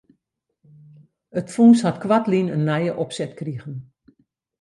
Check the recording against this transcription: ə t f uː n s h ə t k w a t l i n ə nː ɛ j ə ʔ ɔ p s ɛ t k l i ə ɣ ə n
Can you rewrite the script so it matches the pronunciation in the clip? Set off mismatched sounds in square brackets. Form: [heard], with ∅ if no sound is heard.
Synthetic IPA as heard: ə t f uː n s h [a] t k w a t l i n ə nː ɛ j ə ʔ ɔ p s ɛ t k [r] i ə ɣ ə n